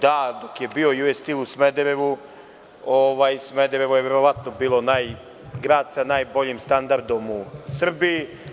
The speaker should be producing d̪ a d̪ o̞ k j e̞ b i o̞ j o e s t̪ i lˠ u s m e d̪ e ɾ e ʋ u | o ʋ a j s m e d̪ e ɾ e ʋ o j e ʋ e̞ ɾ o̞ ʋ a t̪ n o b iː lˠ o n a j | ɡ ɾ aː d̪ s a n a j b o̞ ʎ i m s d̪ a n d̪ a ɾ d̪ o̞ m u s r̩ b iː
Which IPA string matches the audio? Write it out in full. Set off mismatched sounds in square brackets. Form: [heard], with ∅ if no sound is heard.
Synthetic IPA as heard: d̪ a d̪ o̞ k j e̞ b i o̞ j [u] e s t̪ i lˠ u s m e d̪ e ɾ e ʋ u | o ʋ a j s m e d̪ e ɾ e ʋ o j e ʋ e̞ ɾ o̞ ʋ a t̪ n o b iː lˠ o n a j | ɡ ɾ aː d̪ s a n a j b o̞ ʎ i m s [t̪] a n d̪ a ɾ d̪ o̞ m u s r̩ b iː